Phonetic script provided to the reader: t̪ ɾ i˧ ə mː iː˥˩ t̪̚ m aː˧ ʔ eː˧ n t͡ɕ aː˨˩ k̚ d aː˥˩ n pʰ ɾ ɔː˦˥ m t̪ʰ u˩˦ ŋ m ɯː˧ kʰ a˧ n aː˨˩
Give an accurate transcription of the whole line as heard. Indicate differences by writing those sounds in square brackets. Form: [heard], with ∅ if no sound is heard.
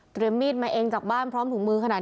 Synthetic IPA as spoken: t̪ ɾ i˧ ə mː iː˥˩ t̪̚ m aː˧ ʔ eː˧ [ŋ] t͡ɕ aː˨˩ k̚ [b] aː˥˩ n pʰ ɾ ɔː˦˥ m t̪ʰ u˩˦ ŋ m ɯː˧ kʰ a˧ n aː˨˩